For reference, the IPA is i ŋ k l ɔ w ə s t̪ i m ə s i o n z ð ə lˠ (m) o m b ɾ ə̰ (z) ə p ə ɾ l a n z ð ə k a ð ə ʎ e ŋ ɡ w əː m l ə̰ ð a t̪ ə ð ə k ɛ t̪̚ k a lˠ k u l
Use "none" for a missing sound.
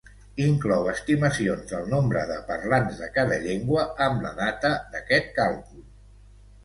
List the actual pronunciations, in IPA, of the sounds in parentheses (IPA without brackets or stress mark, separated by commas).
n, ð